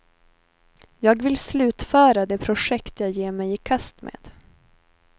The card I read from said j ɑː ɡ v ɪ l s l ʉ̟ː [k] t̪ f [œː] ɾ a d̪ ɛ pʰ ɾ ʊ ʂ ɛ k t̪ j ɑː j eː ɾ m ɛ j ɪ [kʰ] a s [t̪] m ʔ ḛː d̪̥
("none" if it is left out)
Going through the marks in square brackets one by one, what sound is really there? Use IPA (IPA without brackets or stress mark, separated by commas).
none, œː, kʰ, t̪